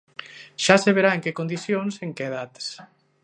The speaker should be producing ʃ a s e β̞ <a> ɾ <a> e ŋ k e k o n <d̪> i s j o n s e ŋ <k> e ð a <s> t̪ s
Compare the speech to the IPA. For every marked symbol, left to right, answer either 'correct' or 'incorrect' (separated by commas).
incorrect, correct, correct, correct, incorrect